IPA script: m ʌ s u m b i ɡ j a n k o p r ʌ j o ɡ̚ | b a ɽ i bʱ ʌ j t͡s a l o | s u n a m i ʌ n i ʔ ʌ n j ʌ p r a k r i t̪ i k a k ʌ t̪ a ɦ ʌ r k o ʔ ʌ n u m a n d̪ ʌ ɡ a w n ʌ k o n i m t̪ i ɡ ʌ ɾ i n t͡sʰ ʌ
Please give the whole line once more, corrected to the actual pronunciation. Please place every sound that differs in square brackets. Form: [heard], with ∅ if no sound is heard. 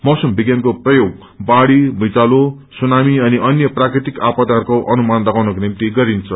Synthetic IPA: m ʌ s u m b i ɡ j a n k o p r ʌ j o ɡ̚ | b a ɽ i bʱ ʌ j t͡s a l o | s u n a m i ʌ n i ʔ ʌ n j ʌ p r a k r i t̪ i k a [p] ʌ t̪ a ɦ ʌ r k o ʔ ʌ n u m a n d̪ ʌ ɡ a w n ʌ k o n i m t̪ i ɡ ʌ ɾ i n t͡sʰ ʌ